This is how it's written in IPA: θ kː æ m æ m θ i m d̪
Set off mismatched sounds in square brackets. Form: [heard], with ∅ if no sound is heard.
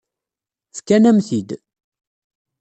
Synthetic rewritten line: θ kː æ [n] æ m θ i [∅] d̪